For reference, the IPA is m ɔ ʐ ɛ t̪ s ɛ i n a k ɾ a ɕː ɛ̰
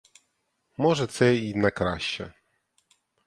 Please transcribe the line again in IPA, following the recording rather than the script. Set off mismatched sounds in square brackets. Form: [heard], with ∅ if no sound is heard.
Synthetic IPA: m ɔ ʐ ɛ t̪ s ɛ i n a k ɾ a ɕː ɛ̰

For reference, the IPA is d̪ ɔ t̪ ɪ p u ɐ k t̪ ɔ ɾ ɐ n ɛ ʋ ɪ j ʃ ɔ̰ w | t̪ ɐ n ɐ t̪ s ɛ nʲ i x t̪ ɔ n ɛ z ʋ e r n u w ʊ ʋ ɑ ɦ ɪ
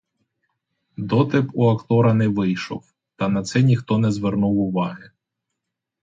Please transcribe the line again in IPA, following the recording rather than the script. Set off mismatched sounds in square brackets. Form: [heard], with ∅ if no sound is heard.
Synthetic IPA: d̪ ɔ t̪ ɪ p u ɐ k t̪ ɔ ɾ ɐ n ɛ ʋ ɪ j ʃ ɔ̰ w | t̪ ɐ n ɐ t̪ s ɛ nʲ i x t̪ ɔ n ɛ z ʋ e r n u w ʊ ʋ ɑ ɦ ɪ

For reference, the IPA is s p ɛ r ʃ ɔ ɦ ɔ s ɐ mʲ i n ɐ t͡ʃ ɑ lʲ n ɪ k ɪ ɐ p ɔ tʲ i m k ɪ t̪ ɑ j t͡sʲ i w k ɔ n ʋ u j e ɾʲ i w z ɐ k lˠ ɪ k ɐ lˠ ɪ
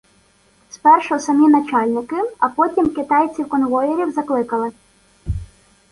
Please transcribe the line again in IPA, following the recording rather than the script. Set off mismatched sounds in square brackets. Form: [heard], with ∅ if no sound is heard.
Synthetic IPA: s p ɛ r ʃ ɔ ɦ ɔ s ɐ mʲ i n ɐ t͡ʃ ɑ lʲ n ɪ k ɪ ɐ p ɔ tʲ i m k ɪ t̪ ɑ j t͡sʲ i w k ɔ n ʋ [ɔ] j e ɾʲ i w z ɐ k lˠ ɪ k ɐ lˠ ɪ

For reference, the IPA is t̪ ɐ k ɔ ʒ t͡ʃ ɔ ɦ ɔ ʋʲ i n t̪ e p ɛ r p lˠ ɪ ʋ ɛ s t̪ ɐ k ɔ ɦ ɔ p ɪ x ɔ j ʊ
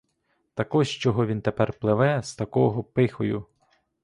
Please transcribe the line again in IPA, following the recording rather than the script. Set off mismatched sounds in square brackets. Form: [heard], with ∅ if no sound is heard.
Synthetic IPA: t̪ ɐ k ɔ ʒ t͡ʃ ɔ ɦ ɔ ʋʲ i n t̪ e p ɛ r p lˠ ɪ ʋ ɛ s t̪ ɐ k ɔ ɦ ɔ p ɪ x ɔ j ʊ

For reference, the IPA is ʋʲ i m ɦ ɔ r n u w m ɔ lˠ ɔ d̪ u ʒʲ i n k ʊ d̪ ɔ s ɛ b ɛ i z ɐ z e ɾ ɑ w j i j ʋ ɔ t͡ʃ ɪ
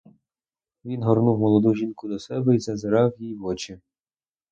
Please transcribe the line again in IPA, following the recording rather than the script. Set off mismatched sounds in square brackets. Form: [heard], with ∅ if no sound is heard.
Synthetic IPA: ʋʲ i [n] ɦ ɔ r n u w m ɔ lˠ ɔ d̪ u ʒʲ i n k ʊ d̪ ɔ s ɛ b ɛ i z ɐ z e ɾ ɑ w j i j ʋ ɔ t͡ʃ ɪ

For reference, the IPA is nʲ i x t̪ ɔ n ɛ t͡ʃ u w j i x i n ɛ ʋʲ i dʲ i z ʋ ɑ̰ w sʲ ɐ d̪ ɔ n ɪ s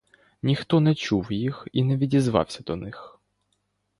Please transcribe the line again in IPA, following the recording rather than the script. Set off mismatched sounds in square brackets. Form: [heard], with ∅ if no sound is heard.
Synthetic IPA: nʲ i x t̪ ɔ n ɛ t͡ʃ u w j i x i n ɛ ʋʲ i dʲ i z ʋ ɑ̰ w sʲ ɐ d̪ ɔ n ɪ [x]

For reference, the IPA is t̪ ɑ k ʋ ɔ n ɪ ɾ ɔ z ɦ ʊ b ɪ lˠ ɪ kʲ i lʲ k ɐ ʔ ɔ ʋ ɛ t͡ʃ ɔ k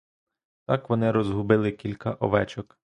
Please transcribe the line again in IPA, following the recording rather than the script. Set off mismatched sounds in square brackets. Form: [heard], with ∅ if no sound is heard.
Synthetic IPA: t̪ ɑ k ʋ ɔ n ɪ ɾ ɔ z ɦ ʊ b ɪ lˠ ɪ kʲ i lʲ k ɐ ʔ ɔ ʋ ɛ t͡ʃ ɔ k

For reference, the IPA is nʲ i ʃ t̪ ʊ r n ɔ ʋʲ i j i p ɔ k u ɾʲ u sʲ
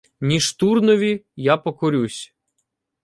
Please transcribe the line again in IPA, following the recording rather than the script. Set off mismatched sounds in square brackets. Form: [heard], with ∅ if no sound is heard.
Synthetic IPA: nʲ i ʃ t̪ [u] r n ɔ ʋʲ i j [a] p ɔ k [ɔ] ɾʲ u sʲ

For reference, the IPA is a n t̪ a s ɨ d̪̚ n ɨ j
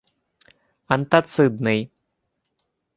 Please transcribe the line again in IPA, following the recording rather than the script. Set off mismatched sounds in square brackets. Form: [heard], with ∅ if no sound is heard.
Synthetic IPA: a n t̪ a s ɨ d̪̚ n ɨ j

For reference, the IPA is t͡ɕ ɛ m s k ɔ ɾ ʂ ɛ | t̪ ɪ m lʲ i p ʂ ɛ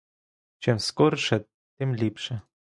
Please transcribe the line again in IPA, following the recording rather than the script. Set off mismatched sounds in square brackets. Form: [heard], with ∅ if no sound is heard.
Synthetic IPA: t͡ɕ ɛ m s k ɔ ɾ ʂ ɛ | t̪ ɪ m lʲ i p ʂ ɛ

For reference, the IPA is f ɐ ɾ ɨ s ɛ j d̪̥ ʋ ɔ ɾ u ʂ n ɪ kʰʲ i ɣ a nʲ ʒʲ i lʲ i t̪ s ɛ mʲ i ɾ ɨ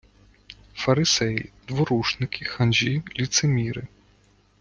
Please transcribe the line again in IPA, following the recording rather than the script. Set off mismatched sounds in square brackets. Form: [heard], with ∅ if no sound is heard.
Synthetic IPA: f ɐ ɾ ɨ s ɛ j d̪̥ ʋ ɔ ɾ u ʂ n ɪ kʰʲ i [x] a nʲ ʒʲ i lʲ i t̪ s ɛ mʲ i ɾ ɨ

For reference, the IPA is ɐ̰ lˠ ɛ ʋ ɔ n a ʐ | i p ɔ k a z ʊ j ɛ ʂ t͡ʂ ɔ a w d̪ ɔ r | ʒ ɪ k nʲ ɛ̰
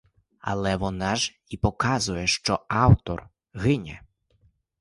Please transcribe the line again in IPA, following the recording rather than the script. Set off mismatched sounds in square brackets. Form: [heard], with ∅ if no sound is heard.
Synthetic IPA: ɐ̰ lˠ ɛ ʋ ɔ n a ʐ | i p ɔ k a z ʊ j ɛ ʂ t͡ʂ ɔ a w [t̪] ɔ r | [ɣ] ɪ [∅] nʲ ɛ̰

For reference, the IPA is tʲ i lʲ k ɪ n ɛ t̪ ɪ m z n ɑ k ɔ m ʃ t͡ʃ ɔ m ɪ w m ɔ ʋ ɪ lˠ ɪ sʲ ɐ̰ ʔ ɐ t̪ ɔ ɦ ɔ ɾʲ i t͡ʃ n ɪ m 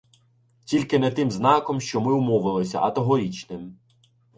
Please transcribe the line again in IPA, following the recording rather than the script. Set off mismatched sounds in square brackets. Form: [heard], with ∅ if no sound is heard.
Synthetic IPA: tʲ i lʲ k ɪ n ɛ t̪ ɪ m z n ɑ k ɔ m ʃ t͡ʃ ɔ m ɪ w m ɔ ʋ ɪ lˠ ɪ sʲ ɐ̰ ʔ ɐ t̪ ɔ ɦ ɔ ɾʲ i t͡ʃ n ɪ m

